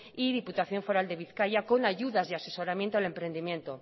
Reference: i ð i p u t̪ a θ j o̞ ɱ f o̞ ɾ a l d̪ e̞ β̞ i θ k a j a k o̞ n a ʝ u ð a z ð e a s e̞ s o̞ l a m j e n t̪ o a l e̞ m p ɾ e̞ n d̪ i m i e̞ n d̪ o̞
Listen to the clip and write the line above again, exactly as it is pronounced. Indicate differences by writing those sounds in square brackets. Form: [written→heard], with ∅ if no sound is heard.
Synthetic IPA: i ð i p u t̪ a θ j o̞ ɱ f o̞ ɾ a l d̪ e̞ β̞ i θ k a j a k o̞ n a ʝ u ð a z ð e a s e̞ s o̞ [l→ɾ] a m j e n t̪ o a l e̞ m p ɾ e̞ n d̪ i m [i→j] e̞ n [d̪→t̪] o̞